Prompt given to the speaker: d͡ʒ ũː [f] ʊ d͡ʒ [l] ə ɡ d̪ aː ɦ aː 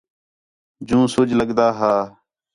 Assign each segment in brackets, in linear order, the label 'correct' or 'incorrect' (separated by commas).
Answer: incorrect, correct